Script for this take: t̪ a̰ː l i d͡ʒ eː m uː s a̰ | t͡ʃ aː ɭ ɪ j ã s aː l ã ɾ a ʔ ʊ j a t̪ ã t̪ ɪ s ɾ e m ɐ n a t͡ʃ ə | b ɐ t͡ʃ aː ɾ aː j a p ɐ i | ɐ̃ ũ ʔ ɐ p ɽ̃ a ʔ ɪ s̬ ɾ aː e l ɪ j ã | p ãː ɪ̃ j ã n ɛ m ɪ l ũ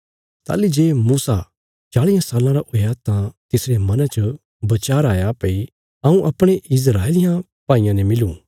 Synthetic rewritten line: t̪ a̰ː l i d͡ʒ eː m uː s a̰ | t͡ʃ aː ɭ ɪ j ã s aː l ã ɾ a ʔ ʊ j a t̪ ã t̪ ɪ s ɾ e m ɐ n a t͡ʃ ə | b ɐ t͡ʃ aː ɾ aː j a p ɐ i | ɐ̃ ũ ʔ ɐ p ɽ̃ e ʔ ɪ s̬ ɾ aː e l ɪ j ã | p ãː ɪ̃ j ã n ɛ m ɪ l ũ